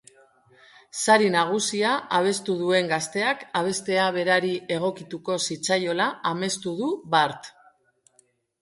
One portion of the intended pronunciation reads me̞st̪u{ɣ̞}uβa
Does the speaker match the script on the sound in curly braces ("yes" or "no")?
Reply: no